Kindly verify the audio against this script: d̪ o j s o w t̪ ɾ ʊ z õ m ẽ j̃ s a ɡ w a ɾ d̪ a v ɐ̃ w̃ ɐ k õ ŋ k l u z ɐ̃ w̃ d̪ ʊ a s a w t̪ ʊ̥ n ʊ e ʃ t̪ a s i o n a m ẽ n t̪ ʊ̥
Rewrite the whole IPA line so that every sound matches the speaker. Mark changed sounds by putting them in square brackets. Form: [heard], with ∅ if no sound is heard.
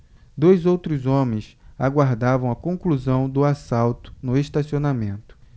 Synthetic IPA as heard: d̪ o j [z] o w t̪ ɾ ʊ z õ m ẽ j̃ s a ɡ w a ɾ d̪ a v ɐ̃ w̃ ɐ k õ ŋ k l u z ɐ̃ w̃ d̪ ʊ a s a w t̪ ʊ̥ n ʊ e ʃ t̪ a s i o n a m ẽ n t̪ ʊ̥

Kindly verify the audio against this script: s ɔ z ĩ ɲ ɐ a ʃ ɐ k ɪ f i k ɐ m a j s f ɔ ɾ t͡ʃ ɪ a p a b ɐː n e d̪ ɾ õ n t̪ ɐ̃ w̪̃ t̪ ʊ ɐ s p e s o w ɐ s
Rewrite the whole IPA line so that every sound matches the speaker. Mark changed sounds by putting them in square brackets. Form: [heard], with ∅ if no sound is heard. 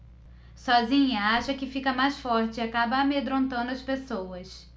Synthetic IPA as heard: s ɔ z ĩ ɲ ɐ a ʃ ɐ k ɪ f i k ɐ m a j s f ɔ ɾ t͡ʃ ɪ a [k] a b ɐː [m] e d̪ ɾ õ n t̪ ɐ̃ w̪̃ [d̪] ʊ ɐ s p e s o w ɐ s

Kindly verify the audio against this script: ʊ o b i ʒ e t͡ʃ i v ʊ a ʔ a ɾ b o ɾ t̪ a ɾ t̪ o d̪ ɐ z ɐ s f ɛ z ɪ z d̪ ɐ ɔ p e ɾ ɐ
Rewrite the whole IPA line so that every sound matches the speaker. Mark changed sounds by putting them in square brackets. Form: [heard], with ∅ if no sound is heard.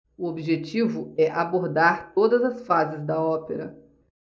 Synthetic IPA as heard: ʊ o b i ʒ e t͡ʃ i v ʊ [ɛ] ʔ a [∅] b o ɾ [d̪] a ɾ t̪ o d̪ ɐ z ɐ s f [a] z ɪ z d̪ ɐ ɔ p e ɾ ɐ

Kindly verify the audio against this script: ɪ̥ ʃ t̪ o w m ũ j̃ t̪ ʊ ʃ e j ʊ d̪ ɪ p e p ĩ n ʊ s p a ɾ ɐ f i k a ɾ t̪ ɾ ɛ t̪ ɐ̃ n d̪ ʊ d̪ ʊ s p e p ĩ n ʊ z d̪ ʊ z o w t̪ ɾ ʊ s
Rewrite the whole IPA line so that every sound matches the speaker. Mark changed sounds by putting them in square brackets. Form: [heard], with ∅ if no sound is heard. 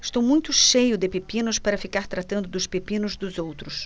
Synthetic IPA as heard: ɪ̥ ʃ t̪ o w m ũ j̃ t̪ ʊ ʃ e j ʊ d̪ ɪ p e p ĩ n ʊ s p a ɾ ɐ f i k a ɾ t̪ ɾ [a] t̪ ɐ̃ n d̪ ʊ d̪ ʊ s p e p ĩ n ʊ z d̪ ʊ z o w t̪ ɾ ʊ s

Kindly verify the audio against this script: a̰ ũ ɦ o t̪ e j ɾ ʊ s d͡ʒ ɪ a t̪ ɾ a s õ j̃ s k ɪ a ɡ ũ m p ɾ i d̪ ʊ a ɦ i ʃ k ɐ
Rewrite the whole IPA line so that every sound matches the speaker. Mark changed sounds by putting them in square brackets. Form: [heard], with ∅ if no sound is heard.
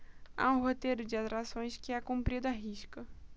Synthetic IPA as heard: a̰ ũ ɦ o t̪ e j ɾ ʊ [∅] d͡ʒ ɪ a t̪ ɾ a s õ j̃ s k ɪ a [k] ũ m p ɾ i d̪ ʊ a ɦ i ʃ k ɐ

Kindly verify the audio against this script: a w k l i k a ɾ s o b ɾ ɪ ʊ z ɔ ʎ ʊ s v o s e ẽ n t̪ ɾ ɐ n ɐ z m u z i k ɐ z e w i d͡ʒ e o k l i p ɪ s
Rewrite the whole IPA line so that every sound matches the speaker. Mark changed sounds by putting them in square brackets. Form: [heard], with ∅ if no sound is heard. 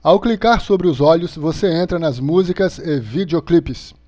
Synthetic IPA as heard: a w k l i k a ɾ s o b ɾ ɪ ʊ z ɔ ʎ ʊ s v o s e ẽ n t̪ ɾ ɐ n ɐ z m u z i k ɐ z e [v] i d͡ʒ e o k l i p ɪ s

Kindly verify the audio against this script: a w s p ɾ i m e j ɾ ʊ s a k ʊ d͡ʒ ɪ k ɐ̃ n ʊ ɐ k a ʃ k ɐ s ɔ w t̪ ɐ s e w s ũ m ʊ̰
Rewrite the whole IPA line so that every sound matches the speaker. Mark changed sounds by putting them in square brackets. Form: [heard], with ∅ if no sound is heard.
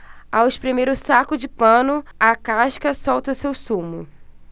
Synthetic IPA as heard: a w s p ɾ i m e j ɾ ʊ s a k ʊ d͡ʒ ɪ [p] ɐ̃ n ʊ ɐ k a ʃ k ɐ s ɔ w t̪ ɐ s e w s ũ m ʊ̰

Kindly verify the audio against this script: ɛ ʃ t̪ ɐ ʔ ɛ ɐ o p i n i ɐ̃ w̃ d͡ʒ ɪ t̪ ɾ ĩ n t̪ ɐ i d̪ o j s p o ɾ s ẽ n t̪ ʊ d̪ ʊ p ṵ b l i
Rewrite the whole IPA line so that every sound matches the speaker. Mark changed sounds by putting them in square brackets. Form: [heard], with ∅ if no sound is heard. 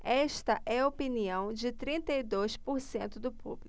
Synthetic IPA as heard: ɛ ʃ t̪ ɐ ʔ ɛ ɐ o p i n i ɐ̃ w̃ d͡ʒ ɪ t̪ ɾ ĩ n t̪ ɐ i d̪ o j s p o ɾ s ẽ n t̪ ʊ d̪ ʊ p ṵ b l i

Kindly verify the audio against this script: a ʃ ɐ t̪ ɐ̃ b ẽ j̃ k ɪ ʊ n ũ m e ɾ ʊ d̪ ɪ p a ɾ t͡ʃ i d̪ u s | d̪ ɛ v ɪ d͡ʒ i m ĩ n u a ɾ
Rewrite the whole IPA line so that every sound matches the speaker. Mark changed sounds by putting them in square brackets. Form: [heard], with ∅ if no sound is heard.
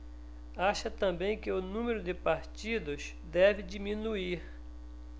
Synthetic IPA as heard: a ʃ ɐ t̪ ɐ̃ b ẽ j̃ k ɪ ʊ n ũ m e ɾ ʊ d̪ ɪ p a ɾ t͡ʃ i d̪ [ʊ] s | d̪ ɛ v ɪ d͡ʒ i m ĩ n u [i] ɾ

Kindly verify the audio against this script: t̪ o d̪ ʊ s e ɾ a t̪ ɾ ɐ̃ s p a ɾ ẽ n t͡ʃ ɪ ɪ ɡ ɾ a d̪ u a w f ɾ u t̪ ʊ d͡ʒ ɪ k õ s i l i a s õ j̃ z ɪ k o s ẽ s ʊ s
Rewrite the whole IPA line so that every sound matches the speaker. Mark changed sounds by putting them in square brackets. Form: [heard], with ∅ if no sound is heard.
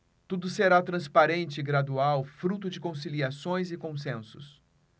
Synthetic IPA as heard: t̪ [u] d̪ ʊ s e ɾ a t̪ ɾ ɐ̃ s p a ɾ ẽ n t͡ʃ ɪ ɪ ɡ ɾ a d̪ u a w f ɾ u t̪ ʊ d͡ʒ ɪ k õ s i l i a s õ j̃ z ɪ k [õ] s ẽ s ʊ s

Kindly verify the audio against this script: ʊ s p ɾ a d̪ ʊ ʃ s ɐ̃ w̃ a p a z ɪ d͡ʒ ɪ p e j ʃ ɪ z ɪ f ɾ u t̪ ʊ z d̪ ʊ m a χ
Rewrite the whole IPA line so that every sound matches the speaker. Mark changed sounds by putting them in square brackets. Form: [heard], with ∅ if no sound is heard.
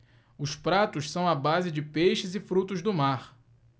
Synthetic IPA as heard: ʊ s p ɾ a [t̪] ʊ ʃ s ɐ̃ w̃ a [b] a z ɪ d͡ʒ ɪ p e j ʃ ɪ z ɪ f ɾ u t̪ ʊ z d̪ ʊ m a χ

